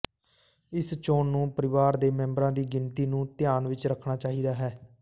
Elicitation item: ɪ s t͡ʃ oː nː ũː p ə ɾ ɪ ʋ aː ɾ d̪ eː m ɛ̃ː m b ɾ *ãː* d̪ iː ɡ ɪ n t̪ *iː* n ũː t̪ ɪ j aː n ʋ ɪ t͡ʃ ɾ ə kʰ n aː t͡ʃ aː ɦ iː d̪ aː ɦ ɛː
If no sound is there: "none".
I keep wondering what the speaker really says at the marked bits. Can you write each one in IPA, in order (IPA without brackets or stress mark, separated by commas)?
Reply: ãː, iː